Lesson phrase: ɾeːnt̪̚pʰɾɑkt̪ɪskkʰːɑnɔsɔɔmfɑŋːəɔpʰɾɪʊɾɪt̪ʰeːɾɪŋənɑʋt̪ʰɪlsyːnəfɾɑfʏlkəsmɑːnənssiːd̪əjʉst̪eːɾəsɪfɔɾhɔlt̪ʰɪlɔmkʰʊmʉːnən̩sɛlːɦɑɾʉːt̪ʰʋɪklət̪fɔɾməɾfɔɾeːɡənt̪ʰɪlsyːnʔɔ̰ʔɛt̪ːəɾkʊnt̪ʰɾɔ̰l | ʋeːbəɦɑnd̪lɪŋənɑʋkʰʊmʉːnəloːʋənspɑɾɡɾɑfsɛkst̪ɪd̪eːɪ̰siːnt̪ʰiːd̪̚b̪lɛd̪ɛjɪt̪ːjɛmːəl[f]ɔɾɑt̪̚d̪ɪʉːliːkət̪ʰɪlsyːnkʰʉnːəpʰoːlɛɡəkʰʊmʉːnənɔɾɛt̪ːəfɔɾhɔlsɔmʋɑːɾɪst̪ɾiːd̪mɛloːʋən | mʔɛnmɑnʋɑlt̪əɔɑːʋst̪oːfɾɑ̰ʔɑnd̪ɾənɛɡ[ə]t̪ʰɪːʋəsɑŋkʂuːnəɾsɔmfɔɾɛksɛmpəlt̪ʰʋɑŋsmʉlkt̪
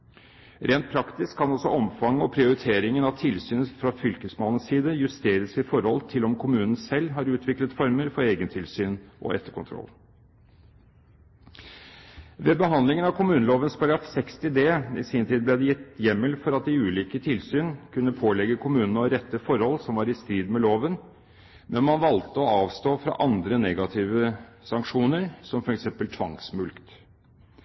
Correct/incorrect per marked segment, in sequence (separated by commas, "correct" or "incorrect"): correct, incorrect